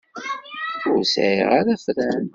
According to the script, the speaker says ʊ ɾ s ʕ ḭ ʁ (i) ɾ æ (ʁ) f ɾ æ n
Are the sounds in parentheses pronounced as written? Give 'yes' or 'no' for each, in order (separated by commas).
no, no